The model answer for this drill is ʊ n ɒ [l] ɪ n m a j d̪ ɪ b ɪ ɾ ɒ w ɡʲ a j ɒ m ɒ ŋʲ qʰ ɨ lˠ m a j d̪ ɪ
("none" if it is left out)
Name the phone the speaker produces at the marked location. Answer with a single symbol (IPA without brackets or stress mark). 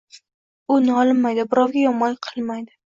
l